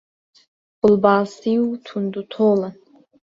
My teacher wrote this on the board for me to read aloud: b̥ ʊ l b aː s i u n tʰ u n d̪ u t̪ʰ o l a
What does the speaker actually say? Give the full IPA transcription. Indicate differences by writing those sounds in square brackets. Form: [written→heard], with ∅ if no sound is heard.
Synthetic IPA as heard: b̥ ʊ l b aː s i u [n→∅] tʰ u n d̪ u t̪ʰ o l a